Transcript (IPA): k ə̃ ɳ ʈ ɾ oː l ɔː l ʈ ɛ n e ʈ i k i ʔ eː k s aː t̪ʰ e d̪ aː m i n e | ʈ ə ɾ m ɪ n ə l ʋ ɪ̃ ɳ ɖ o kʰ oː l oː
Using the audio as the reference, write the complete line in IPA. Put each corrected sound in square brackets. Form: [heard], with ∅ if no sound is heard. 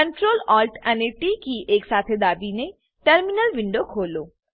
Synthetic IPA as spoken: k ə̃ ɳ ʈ ɾ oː l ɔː l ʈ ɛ n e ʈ i k i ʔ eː k s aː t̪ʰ e d̪ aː [b] i n e | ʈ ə ɾ m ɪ n ə l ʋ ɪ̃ ɳ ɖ o kʰ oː l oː